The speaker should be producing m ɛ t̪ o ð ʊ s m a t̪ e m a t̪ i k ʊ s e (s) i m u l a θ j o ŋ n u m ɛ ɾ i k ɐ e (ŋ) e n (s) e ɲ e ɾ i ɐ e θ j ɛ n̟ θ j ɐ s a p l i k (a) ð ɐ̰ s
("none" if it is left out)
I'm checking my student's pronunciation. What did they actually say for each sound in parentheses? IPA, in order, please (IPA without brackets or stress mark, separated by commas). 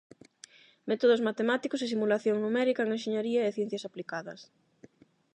s, ŋ, ʃ, a